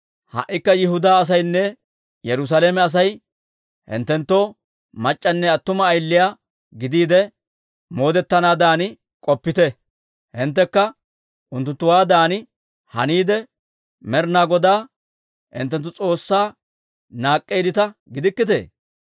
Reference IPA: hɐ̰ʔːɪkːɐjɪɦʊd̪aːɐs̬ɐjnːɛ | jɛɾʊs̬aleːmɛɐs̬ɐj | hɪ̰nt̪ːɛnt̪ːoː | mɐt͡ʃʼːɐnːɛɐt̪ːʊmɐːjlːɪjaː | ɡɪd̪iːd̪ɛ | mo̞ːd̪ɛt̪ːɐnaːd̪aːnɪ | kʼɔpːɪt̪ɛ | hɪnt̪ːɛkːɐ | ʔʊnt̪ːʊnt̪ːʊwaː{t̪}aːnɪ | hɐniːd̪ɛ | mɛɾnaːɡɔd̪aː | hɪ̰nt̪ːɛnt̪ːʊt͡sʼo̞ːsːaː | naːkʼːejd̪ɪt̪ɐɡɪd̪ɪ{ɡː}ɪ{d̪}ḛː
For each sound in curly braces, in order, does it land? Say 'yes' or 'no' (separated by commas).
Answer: no, no, no